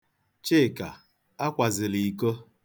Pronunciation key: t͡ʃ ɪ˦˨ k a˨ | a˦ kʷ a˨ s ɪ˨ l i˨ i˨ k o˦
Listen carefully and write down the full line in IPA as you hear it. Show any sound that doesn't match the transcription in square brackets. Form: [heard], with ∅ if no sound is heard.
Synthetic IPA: t͡ʃ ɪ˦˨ k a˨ | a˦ kʷ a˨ [z] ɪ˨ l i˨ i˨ k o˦